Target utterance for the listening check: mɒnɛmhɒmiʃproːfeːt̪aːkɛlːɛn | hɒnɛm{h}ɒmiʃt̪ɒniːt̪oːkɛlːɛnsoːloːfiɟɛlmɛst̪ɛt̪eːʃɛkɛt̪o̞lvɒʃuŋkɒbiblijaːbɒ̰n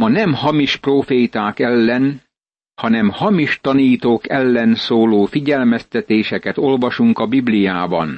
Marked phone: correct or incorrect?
correct